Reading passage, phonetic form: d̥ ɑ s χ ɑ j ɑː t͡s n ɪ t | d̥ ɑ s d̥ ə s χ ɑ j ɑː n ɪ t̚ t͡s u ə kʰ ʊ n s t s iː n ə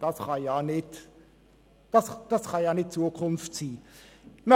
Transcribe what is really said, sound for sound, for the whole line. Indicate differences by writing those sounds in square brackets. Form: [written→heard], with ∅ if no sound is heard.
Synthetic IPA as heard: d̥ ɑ s χ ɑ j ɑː [t͡s→∅] n ɪ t | d̥ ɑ s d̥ [ə→ɑ] s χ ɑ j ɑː n ɪ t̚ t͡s u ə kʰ ʊ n [s→f] t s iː [n→m] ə

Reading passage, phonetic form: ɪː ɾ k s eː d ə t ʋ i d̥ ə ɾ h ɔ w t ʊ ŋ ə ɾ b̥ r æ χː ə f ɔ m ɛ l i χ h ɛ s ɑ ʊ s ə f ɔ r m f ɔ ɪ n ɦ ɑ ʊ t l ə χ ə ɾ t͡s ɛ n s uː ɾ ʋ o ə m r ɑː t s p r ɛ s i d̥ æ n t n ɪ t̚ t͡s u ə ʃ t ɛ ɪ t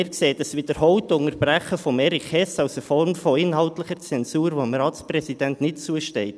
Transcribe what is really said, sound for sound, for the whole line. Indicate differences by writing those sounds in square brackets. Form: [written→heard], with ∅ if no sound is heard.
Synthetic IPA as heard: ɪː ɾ k s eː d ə [t→s] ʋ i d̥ ə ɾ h ɔ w t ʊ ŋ ə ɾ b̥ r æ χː ə f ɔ m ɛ [l→ɾ] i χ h ɛ s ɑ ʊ s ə f ɔ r m f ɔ ɪ n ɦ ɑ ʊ t l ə χ ə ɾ t͡s ɛ n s uː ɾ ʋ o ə m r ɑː t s p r ɛ s i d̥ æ n t n ɪ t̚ t͡s u ə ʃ t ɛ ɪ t

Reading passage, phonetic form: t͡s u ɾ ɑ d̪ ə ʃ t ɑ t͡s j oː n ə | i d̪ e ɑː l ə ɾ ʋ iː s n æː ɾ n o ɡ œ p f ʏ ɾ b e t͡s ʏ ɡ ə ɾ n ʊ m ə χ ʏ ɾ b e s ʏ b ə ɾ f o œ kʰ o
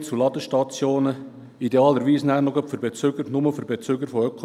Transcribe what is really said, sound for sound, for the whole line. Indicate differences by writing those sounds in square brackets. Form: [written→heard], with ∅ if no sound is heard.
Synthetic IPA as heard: t͡s u [ɾ→l] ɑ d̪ ə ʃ t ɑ t͡s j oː n ə | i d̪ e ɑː l ə ɾ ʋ iː s n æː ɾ n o ɡ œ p f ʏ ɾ b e t͡s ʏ ɡ ə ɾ n ʊ m ə [χ→f] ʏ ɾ b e [s→t͡s] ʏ [b→ɡ] ə ɾ f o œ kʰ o

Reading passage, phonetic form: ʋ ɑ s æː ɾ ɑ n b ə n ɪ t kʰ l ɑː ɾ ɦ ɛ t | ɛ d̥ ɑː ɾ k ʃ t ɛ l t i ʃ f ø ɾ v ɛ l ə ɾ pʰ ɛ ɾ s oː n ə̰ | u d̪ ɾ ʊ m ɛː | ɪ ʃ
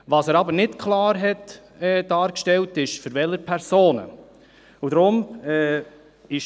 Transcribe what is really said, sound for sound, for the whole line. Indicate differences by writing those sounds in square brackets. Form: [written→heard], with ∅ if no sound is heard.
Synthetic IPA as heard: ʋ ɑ s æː ɾ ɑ [n→∅] b ə n ɪ t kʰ l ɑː ɾ ɦ ɛ t | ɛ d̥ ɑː ɾ k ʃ t ɛ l t [i→ɪ] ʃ f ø ɾ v ɛ l ə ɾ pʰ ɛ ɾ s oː n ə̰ | u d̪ ɾ ʊ m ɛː | ɪ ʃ

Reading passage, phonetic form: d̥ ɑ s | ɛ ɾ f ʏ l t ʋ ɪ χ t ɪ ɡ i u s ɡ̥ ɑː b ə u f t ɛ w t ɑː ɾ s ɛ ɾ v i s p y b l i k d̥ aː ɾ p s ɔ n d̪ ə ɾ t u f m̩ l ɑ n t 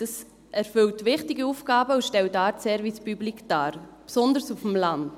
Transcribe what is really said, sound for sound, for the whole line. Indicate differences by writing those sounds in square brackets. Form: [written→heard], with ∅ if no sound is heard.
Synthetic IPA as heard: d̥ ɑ s | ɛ ɾ f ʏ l t ʋ ɪ χ t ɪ ɡ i u [s→f] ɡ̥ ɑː b ə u [f→ʃ] t ɛ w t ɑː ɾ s ɛ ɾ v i s p y b l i k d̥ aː ɾ p s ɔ n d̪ ə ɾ [t→s] u f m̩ l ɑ n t

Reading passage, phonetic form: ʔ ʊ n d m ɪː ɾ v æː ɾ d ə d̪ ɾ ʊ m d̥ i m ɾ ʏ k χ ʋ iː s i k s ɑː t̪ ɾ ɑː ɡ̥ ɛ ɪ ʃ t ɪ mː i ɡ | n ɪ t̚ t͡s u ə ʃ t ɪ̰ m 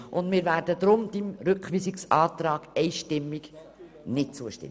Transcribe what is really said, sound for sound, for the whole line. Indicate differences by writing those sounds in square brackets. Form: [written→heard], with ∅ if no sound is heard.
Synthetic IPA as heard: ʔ ʊ n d m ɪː ɾ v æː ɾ d ə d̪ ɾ ʊ m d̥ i m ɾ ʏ k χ ʋ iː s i k s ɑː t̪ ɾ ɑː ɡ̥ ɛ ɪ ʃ t ɪ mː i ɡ | n ɪ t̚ t͡s u ə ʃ t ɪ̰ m

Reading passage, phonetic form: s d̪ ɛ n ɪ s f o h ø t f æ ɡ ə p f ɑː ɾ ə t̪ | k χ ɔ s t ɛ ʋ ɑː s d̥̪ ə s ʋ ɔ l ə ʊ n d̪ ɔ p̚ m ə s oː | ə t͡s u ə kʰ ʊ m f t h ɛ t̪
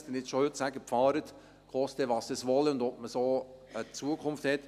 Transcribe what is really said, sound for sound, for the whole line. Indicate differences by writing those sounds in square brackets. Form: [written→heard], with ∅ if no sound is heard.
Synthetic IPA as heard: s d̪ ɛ n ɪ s [f→ʃ] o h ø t [f→s] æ ɡ ə p f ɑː ɾ ə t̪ | k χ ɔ s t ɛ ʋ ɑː s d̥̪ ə s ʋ ɔ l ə ʊ n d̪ ɔ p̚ m ə s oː | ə t͡s u ə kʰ ʊ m f t h ɛ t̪

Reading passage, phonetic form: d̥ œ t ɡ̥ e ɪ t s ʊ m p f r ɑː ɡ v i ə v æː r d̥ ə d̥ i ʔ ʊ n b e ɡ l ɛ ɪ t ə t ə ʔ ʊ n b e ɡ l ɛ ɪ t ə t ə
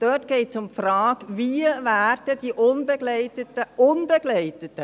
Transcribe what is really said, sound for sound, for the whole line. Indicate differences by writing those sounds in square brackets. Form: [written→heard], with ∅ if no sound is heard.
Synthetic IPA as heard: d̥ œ t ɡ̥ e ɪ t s ʊ m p f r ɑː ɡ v i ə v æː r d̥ ə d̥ i ʔ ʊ n b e ɡ l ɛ ɪ t ə t ə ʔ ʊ n b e ɡ l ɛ ɪ t ə t ə

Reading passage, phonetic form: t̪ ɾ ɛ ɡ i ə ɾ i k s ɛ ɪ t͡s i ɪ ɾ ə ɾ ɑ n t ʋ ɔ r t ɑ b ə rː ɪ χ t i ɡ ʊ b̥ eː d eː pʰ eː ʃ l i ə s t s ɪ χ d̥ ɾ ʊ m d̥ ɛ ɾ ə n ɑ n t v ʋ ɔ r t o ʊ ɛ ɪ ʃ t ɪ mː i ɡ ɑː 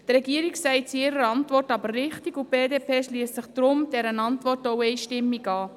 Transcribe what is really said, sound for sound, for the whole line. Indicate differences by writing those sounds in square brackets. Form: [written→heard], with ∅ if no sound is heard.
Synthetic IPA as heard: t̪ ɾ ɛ ɡ i ə ɾ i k s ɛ ɪ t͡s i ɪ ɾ ə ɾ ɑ n t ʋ ɔ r t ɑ b ə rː ɪ χ t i ɡ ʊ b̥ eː d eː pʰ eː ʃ l i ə s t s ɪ χ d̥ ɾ ʊ m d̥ ɛ ɾ ə n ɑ n t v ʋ ɔ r t o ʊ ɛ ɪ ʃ t ɪ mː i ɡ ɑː

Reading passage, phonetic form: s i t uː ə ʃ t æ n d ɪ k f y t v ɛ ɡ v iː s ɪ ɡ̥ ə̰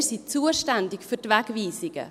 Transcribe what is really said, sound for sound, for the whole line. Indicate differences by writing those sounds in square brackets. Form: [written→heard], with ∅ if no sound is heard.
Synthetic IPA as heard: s i [t→t͡s] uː ə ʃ t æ n d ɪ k f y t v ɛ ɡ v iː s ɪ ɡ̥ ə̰

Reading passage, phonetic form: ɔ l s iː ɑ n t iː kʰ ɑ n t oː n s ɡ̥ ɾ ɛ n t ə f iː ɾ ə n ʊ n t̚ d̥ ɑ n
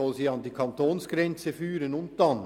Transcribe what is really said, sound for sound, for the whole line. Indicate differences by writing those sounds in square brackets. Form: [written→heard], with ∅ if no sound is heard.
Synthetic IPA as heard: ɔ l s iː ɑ n [t→d] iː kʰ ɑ n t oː n s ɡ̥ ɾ ɛ n [t→t͡s] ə f [iː→yː] ɾ ə n ʊ n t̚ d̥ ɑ n

